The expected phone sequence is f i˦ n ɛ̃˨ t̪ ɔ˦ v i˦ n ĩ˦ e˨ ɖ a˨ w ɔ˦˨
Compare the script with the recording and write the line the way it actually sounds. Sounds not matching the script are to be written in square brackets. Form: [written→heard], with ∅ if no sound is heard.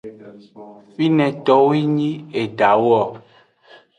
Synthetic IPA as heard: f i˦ n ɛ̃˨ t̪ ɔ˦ [v→w] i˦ [n→ɲ] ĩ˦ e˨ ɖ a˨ w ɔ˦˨